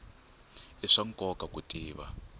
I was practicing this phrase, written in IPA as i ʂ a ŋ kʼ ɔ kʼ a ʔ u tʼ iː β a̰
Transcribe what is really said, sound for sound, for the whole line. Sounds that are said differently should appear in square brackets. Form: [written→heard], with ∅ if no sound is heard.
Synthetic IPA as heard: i ʂ a ŋ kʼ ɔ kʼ a [ʔ→k] u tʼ iː β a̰